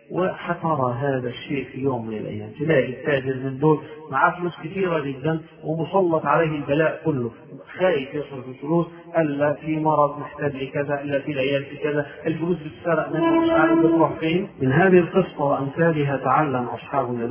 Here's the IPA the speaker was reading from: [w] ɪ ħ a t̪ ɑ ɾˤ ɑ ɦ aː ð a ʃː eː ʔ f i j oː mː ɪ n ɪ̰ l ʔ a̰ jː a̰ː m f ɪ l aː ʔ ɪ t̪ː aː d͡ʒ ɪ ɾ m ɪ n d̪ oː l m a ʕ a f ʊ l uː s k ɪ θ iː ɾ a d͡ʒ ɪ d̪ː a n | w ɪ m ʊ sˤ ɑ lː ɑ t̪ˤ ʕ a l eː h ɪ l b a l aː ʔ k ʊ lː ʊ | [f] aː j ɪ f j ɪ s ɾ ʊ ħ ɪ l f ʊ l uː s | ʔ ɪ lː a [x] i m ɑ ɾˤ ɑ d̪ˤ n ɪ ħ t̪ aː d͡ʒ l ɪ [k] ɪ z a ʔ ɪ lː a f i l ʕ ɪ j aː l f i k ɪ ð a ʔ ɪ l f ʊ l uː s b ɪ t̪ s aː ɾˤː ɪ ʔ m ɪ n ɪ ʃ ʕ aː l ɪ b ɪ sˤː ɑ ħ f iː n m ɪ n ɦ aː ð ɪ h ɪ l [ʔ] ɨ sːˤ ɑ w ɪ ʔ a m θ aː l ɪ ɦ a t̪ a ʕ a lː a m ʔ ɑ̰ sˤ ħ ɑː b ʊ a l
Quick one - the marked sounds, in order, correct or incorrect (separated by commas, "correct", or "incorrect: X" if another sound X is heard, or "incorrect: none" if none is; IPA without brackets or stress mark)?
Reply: correct, incorrect: x, incorrect: f, correct, incorrect: q